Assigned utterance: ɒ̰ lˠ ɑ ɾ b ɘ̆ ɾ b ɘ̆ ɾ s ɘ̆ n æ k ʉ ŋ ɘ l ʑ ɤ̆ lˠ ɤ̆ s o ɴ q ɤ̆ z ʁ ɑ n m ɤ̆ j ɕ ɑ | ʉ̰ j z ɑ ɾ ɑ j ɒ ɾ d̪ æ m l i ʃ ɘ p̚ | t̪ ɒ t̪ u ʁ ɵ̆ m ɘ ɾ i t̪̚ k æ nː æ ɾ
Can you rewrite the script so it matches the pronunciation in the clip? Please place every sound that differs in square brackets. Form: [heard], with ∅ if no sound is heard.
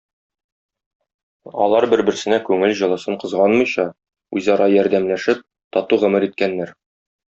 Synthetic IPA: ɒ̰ lˠ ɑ ɾ b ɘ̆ ɾ b ɘ̆ ɾ s ɘ̆ n æ k ʉ ŋ ɘ l ʑ ɤ̆ lˠ ɤ̆ s [ɤ] ɴ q ɤ̆ z ʁ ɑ n m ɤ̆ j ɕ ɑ | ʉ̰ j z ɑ ɾ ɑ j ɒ ɾ d̪ æ m l [æ] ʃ ɘ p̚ | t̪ ɒ t̪ u ʁ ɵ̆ m ɘ ɾ i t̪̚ k æ nː æ ɾ